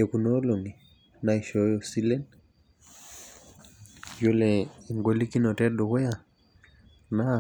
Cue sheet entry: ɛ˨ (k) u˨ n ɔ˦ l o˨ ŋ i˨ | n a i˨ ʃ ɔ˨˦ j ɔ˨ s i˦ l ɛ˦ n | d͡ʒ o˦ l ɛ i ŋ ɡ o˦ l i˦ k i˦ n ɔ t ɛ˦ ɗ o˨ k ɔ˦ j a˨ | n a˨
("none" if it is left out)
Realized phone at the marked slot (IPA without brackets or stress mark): k